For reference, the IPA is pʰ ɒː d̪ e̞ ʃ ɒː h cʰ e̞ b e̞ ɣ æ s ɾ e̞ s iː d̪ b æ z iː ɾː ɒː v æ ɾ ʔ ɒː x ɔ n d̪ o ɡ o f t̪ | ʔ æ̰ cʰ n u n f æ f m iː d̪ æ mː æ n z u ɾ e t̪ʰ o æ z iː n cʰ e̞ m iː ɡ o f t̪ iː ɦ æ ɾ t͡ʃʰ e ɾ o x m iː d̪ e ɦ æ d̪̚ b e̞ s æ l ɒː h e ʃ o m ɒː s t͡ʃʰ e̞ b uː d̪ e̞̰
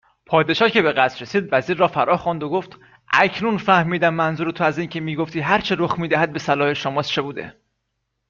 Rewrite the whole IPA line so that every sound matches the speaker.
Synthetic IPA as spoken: pʰ ɒː d̪ e̞ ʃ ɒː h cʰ e̞ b e̞ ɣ æ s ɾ e̞ s iː d̪ v æ z iː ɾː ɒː f æ ɾ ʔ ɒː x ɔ n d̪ o ɡ o f t̪ | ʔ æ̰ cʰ n u n f æ h m iː d̪ æ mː æ n z u ɾ e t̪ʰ o æ z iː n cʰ e̞ m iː ɡ o f t̪ iː ɦ æ ɾ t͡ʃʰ e ɾ o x m iː d̪ æ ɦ æ d̪̚ b e̞ s æ l ɒː h e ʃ o m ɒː s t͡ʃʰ e̞ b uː d̪ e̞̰

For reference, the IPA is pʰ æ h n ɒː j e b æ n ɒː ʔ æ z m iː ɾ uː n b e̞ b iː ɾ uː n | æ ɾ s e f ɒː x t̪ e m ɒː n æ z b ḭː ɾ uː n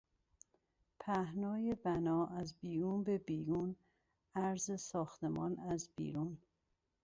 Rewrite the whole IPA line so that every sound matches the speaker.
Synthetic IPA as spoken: pʰ æ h n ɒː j e b æ n ɒː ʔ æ z b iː ɾ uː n b e̞ b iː ɾ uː n | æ ɾ z e s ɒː x t̪ e m ɒː n æ z b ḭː ɾ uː n

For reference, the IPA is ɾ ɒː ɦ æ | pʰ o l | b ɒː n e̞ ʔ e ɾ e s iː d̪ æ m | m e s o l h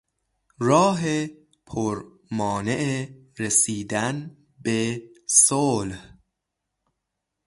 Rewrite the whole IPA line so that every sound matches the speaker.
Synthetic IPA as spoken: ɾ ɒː ɦ e | pʰ o ɾ | m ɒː n e̞ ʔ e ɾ e s iː d̪ æ n | b e s o l h

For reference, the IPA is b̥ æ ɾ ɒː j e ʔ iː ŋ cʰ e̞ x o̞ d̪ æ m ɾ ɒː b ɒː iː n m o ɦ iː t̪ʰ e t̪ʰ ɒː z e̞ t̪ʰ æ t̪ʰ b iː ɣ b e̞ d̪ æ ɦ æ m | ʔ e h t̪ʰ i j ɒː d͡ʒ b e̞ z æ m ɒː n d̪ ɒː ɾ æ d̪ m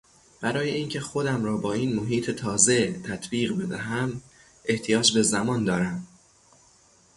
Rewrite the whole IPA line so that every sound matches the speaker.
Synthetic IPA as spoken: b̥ æ ɾ ɒː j e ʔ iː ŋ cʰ e̞ x o̞ d̪ æ m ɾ ɒː b ɒː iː n m o ɦ iː t̪ʰ e t̪ʰ ɒː z e̞ t̪ʰ æ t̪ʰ b iː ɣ b e̞ d̪ æ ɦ æ m | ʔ e h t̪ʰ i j ɒː d͡ʒ b e̞ z æ m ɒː n d̪ ɒː ɾ æ m

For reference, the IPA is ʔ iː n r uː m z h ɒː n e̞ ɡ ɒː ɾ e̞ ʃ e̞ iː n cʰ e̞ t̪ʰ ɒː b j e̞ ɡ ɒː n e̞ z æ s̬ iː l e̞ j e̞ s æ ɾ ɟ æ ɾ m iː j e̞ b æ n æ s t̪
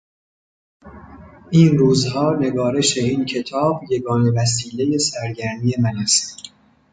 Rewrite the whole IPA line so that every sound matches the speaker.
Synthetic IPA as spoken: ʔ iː n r uː z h ɒː n e̞ ɡ ɒː ɾ e̞ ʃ e̞ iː n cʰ e̞ t̪ʰ ɒː b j e̞ ɡ ɒː n e̞ v æ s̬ iː l e̞ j e̞ s æ ɾ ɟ æ ɾ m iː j e̞ m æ n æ s t̪

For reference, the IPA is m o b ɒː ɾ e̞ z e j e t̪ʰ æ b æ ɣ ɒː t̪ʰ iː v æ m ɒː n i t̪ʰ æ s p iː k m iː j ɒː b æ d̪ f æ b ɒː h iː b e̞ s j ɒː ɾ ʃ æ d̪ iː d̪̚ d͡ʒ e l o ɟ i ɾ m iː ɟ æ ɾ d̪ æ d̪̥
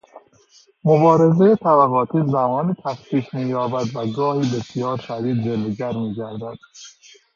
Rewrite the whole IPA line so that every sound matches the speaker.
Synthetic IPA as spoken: m o b ɒː ɾ e̞ z e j e t̪ʰ æ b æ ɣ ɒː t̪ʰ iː z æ m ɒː n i t̪ʰ æ s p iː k m iː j ɒː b æ d̪ v æ ɡ ɒː h iː b e̞ s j ɒː ɾ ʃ æ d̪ iː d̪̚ d͡ʒ e l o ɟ æ ɾ m iː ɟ æ ɾ d̪ æ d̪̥

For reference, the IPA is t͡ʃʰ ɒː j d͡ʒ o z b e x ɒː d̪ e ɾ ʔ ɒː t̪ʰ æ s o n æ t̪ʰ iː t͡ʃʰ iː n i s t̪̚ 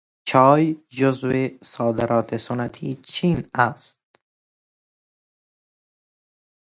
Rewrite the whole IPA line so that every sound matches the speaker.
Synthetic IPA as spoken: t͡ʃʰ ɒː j d͡ʒ o z v e s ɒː d̪ e ɾ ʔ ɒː t̪ʰ e s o n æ t̪ʰ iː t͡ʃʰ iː n æ s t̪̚

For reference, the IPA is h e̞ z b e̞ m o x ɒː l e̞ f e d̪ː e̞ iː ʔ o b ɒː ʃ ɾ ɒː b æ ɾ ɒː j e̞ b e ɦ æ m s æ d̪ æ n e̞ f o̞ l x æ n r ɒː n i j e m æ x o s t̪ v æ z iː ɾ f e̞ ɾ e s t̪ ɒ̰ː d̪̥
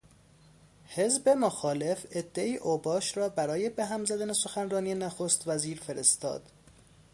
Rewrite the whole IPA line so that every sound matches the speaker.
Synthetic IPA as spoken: h e̞ z b e̞ m o x ɒː l e̞ f e d̪ː e̞ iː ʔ o b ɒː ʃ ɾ ɒː b æ ɾ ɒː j e̞ b e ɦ æ m z æ d̪ æ n e̞ s o̞ x æ n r ɒː n i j e n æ x o s t̪ v æ z iː ɾ f e̞ ɾ e s t̪ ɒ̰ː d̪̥

